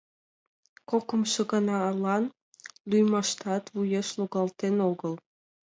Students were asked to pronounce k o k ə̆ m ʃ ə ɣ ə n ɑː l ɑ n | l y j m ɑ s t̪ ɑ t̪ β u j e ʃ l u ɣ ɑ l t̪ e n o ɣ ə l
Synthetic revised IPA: k o k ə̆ m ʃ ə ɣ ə n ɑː l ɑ n | l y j m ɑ ʃ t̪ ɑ t̪ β u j e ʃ l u ɣ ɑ l t̪ e n o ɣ ə l